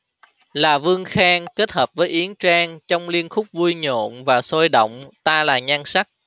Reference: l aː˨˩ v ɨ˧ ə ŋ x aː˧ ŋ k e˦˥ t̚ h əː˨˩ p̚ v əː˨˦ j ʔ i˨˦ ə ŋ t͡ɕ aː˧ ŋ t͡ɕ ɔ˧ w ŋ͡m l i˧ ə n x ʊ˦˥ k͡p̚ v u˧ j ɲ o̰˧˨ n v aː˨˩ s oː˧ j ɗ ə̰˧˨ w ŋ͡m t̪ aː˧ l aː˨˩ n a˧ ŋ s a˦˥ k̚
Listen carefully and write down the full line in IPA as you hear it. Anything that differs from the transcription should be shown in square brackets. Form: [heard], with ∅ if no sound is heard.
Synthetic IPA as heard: l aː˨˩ v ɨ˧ ə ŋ x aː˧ ŋ k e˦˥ t̚ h əː˨˩ p̚ v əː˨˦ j ʔ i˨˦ ə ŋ t͡ɕ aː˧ ŋ t͡ɕ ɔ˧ w ŋ͡m l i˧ ə n x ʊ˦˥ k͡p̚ v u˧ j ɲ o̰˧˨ n v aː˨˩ s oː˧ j ɗ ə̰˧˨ w ŋ͡m t̪ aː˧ l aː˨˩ [ɲ] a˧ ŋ s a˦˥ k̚